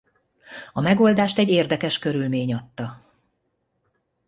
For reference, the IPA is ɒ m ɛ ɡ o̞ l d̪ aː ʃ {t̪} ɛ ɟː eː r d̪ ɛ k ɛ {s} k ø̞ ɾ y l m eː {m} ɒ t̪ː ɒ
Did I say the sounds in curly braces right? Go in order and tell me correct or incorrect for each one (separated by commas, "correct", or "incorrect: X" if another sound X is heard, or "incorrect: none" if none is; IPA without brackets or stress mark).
correct, incorrect: ʃ, incorrect: ɲ